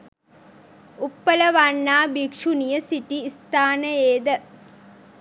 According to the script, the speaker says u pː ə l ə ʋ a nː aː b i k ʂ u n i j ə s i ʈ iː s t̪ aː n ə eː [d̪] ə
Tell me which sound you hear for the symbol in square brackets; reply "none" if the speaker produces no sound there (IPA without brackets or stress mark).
d̪